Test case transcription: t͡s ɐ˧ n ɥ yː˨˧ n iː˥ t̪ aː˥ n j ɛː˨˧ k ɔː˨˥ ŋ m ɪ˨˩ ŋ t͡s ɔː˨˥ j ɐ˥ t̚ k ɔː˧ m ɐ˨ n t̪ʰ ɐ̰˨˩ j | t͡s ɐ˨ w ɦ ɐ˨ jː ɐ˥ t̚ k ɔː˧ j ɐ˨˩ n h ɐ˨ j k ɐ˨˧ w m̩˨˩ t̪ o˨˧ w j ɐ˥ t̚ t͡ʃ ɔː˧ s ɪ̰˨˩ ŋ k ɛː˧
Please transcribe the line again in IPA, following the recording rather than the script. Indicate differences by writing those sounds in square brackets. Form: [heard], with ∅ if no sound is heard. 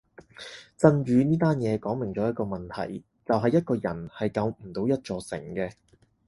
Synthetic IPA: t͡s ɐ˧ n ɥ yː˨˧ n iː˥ t̪ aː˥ n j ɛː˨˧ k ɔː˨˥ ŋ m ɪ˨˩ ŋ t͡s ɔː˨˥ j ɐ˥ t̚ k ɔː˧ m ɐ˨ n t̪ʰ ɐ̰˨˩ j | t͡s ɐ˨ w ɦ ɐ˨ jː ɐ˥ t̚ k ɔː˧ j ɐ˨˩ n h ɐ˨ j k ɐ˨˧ w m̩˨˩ t̪ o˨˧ w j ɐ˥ t̚ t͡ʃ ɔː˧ s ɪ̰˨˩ ŋ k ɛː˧